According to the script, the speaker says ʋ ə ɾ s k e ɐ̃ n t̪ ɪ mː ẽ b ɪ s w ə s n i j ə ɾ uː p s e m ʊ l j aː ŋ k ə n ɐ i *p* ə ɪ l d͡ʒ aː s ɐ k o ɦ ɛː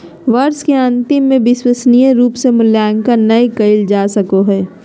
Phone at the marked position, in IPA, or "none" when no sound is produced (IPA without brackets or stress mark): k